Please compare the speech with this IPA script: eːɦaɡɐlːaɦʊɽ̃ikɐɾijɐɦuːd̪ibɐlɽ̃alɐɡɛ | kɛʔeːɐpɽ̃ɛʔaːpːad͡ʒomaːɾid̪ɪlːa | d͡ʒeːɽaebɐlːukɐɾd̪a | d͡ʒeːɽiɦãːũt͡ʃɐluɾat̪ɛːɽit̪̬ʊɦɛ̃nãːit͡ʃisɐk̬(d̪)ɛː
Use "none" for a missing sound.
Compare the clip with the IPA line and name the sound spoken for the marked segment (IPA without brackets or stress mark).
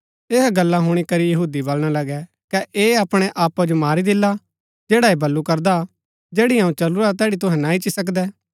d̪